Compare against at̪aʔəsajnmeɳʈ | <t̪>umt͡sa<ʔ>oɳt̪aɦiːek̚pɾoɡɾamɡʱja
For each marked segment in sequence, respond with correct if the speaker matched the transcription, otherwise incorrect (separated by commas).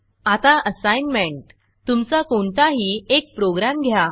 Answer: correct, incorrect